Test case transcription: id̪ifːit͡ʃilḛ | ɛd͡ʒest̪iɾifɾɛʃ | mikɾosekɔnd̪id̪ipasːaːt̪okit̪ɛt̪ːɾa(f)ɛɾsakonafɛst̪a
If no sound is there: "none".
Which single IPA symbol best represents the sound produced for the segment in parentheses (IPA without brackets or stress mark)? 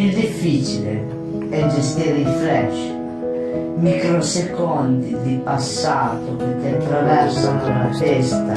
v